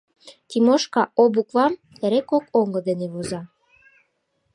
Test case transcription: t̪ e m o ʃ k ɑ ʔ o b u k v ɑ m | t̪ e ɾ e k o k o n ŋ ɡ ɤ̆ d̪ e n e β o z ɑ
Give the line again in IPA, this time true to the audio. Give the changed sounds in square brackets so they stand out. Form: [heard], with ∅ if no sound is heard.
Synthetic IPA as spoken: t̪ [i] m o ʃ k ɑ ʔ o b u k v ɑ m | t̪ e ɾ e k o k o [∅] ŋ ɡ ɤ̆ d̪ e n e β o z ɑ